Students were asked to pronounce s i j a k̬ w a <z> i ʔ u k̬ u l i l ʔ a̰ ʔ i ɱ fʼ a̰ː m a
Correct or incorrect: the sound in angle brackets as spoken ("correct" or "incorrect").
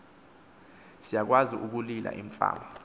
correct